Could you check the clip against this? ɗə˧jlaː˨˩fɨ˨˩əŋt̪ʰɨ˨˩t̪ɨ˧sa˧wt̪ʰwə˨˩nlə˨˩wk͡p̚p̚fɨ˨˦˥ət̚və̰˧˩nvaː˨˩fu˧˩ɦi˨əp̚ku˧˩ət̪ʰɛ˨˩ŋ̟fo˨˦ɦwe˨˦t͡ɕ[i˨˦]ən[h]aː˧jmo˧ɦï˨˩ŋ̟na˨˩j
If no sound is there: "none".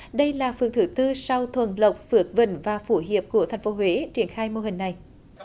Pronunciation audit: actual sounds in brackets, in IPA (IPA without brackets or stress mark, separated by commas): i˧˩, x